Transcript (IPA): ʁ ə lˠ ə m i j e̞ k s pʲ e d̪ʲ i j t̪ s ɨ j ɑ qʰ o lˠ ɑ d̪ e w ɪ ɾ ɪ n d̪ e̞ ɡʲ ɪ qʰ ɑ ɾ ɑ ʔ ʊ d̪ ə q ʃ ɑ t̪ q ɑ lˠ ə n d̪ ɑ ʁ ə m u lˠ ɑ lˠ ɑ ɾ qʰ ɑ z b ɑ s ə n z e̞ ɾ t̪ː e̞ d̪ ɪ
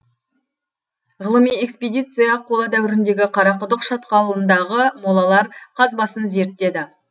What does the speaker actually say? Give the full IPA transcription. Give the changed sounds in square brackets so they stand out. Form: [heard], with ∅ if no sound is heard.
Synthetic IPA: ʁ ə lˠ ə m i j e̞ k s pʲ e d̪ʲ i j t̪ s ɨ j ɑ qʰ o lˠ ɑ d̪ [æ] w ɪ ɾ ɪ n d̪ e̞ ɡʲ ɪ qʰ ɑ ɾ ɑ [q] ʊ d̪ ə q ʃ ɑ t̪ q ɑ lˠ ə n d̪ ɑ ʁ ə m [o] lˠ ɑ lˠ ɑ ɾ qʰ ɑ z b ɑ s ə n z e̞ ɾ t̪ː e̞ d̪ ɪ